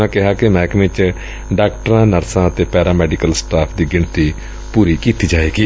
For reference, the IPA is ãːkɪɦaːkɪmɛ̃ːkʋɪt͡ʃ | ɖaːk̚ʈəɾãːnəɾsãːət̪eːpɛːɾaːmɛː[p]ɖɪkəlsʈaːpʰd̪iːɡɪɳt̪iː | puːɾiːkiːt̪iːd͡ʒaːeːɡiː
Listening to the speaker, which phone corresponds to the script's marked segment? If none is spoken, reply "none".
none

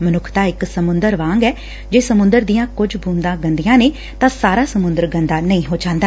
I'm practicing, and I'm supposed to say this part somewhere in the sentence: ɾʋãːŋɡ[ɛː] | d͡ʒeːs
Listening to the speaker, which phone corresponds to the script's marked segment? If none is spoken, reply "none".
ɛː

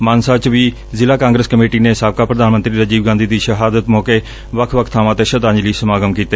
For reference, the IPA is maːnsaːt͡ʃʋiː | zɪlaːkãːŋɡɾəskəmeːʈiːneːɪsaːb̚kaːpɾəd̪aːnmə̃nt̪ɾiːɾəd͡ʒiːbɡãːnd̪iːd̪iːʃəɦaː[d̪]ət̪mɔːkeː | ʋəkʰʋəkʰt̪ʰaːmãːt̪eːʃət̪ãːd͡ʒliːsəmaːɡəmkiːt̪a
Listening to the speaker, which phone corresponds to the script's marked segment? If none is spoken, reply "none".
d̪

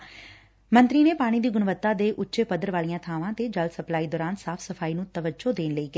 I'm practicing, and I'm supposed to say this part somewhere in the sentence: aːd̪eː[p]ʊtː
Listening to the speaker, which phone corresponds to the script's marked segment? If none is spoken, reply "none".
ʔ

